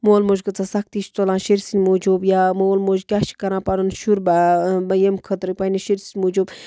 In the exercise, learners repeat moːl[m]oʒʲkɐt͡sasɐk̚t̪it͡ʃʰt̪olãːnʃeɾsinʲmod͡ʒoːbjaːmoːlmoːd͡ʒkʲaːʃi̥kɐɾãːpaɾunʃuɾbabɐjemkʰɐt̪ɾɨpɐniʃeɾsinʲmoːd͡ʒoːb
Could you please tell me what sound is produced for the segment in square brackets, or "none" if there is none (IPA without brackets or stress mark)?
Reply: m